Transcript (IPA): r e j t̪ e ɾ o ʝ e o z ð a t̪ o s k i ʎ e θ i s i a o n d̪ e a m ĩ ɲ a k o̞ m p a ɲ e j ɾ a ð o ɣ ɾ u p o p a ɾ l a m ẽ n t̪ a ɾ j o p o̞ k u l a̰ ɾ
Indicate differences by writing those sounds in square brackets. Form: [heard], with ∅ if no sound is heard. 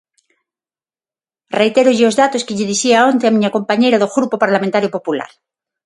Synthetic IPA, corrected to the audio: r e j t̪ e ɾ o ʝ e o z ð a t̪ o s k [e] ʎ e [ð] i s i a o n [t̪] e a m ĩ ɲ a k o̞ m p a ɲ e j ɾ a ð o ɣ ɾ u p o p a ɾ l a m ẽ n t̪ a ɾ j o p o̞ [p] u l a̰ ɾ